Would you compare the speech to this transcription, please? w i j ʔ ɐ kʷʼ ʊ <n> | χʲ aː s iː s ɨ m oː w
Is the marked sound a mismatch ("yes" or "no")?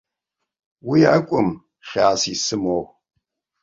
yes